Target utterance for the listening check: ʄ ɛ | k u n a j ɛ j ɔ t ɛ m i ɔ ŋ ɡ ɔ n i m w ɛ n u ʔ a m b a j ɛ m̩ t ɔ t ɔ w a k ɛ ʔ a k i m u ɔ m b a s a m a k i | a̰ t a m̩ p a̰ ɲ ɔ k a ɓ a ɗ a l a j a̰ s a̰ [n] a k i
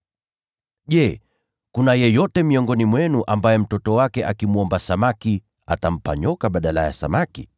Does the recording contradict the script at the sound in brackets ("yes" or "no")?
yes